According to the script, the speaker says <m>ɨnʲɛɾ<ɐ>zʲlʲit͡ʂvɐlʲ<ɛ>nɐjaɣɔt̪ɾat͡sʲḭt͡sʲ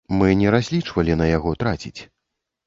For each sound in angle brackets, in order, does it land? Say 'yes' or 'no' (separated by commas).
yes, no, no